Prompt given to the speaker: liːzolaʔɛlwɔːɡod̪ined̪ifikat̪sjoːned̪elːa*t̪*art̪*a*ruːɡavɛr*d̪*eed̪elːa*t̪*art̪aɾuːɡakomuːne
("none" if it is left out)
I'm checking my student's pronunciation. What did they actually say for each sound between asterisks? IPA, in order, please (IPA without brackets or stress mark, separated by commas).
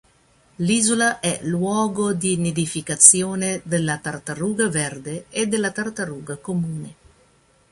t̪, a, d̪, t̪